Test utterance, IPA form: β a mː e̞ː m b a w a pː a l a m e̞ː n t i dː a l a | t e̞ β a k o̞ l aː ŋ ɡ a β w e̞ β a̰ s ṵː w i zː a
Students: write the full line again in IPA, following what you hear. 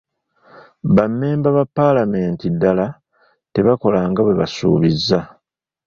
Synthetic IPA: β a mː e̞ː m b a β a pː a l a m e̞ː n t i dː a l a | t e̞ β a k o̞ l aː ŋ ɡ a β w e̞ β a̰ s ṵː β i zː a